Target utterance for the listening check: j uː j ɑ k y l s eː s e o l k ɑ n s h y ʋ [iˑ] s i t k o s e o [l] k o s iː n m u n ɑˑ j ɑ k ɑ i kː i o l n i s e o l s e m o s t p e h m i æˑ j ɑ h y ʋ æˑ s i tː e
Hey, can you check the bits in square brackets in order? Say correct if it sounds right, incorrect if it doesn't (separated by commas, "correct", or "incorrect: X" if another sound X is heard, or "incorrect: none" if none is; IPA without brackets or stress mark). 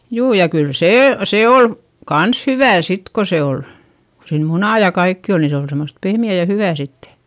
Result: incorrect: æˑ, correct